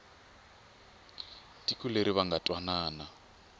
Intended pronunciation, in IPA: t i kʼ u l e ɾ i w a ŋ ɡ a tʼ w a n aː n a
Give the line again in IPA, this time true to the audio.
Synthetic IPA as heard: t i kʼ u l e ɾ i β a ŋ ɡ a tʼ w a n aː n a